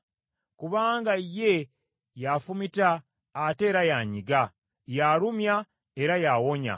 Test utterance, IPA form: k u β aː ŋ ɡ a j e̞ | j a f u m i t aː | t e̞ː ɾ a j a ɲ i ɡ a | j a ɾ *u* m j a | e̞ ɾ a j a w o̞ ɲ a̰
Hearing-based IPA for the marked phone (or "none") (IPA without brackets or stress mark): u